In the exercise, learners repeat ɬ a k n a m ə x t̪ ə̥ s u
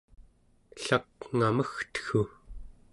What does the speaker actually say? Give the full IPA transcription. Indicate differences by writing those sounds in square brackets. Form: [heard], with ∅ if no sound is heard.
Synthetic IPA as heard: ɬ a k [ŋ] a m ə x t̪ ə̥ [x] u